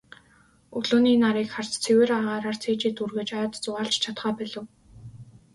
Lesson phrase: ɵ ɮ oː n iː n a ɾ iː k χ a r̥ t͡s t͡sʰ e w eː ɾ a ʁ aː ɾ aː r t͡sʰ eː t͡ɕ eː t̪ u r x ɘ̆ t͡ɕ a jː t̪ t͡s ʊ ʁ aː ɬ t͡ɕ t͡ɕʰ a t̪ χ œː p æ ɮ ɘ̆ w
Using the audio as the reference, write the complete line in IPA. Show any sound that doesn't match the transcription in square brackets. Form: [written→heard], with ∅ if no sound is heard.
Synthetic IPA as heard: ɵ ɮ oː n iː n a ɾ iː k χ a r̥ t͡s t͡sʰ e w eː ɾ a ʁ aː ɾ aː r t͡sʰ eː t͡ɕ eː t̪ u r [x→ɣ] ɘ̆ t͡ɕ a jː t̪ t͡s ʊ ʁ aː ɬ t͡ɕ t͡ɕʰ a t̪ χ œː p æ ɮ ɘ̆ w